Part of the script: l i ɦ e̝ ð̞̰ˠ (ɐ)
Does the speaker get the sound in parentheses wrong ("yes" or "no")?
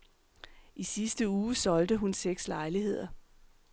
no